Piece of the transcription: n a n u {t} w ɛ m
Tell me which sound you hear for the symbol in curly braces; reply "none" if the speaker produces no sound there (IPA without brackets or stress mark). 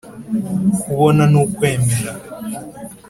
k